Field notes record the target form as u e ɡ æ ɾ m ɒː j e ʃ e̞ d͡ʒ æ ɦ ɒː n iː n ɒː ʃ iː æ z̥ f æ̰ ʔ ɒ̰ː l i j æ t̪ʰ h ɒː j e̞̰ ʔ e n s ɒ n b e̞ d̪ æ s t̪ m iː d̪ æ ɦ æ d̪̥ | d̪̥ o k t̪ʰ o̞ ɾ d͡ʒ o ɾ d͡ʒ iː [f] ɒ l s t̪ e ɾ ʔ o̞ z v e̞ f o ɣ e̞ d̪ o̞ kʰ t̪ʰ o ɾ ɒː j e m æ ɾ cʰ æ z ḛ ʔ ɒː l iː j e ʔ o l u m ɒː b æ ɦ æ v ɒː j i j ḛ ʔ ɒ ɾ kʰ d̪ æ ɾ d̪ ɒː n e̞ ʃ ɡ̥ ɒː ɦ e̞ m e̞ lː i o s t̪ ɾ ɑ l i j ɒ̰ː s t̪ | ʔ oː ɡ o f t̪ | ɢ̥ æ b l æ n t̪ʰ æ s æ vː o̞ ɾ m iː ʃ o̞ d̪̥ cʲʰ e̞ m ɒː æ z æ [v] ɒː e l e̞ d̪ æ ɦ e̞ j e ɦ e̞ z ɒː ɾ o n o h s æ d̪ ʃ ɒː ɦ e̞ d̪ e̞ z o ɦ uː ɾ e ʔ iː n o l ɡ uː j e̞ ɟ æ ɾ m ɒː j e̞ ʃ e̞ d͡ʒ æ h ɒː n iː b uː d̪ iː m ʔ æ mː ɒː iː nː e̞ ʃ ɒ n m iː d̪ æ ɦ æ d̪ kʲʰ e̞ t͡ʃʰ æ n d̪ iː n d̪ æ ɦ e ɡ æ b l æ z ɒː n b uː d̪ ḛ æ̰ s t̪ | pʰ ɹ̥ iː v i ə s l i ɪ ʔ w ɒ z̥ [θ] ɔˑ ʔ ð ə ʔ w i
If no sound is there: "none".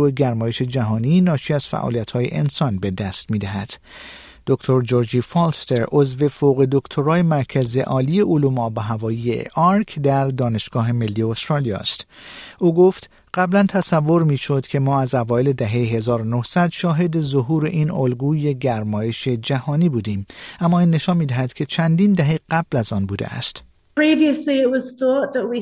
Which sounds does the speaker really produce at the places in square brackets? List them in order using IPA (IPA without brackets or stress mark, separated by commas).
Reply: f, v, θ